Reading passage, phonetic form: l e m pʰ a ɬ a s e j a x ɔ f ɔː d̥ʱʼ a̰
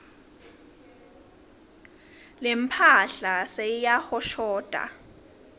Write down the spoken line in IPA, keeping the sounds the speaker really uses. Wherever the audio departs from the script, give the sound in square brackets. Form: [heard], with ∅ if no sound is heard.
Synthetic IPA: l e m pʰ a ɬ a s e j a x ɔ [ʃ] ɔː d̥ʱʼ a̰